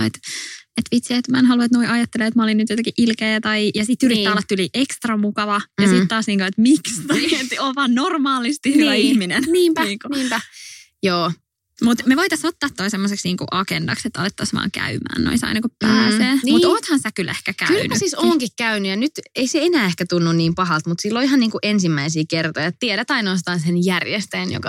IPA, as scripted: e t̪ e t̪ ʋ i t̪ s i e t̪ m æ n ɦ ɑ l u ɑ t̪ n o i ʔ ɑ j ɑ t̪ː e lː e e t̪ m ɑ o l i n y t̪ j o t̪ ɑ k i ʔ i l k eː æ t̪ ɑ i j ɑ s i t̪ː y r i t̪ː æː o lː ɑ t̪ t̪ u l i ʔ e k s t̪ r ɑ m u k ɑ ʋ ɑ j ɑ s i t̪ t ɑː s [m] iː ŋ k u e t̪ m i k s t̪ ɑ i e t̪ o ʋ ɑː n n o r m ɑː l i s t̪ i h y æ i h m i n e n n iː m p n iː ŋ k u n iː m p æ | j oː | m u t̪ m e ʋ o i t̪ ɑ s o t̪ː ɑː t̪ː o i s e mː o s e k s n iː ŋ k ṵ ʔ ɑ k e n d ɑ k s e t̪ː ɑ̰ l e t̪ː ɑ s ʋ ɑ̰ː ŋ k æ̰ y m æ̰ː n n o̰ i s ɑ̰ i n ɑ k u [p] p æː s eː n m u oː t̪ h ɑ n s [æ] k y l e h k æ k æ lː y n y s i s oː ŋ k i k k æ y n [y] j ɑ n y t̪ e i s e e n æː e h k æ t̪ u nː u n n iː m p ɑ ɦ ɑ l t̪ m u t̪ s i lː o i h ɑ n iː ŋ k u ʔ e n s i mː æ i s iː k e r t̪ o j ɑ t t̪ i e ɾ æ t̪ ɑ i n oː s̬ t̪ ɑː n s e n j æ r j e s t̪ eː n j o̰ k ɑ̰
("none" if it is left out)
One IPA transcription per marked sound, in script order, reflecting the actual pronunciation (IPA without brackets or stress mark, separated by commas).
n, p, æ, y